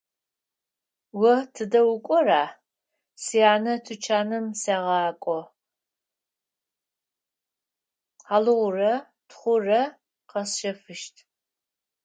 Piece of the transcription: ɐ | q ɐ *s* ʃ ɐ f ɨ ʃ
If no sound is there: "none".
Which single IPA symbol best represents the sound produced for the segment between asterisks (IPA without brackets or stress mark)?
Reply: s